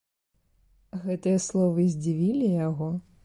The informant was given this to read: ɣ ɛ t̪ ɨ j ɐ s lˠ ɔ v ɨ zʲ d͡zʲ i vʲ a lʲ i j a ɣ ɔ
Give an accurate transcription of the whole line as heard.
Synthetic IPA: ɣ ɛ t̪ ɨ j ɐ s lˠ ɔ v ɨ zʲ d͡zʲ i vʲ i lʲ i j a ɣ ɔ